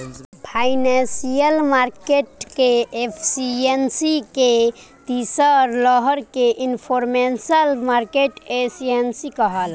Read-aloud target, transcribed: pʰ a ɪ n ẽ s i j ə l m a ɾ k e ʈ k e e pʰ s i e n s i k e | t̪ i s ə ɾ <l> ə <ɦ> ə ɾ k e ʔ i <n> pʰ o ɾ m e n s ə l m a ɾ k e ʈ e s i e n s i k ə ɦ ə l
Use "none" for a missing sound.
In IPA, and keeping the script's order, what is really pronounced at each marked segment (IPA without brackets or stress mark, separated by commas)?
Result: l, ɦ, n